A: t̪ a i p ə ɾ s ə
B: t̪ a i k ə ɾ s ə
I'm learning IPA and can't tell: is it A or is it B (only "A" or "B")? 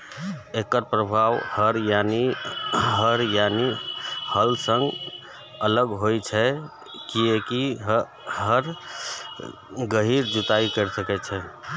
B